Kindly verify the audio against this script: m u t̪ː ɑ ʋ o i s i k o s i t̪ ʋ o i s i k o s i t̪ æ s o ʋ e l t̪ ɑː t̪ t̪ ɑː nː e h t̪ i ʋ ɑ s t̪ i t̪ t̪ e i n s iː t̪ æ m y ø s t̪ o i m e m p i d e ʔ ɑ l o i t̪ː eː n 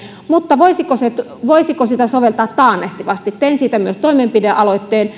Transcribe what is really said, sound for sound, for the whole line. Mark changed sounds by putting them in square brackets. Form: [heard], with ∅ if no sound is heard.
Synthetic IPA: m u t̪ː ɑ ʋ o i s i k o s [e] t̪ ʋ o i s i k o s i t̪ æ s o ʋ e l t̪ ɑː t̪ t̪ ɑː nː e h t̪ i ʋ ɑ s t̪ i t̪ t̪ e i n s iː t̪ æ m y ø s t̪ o i m e m p i d e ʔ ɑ l o i t̪ː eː n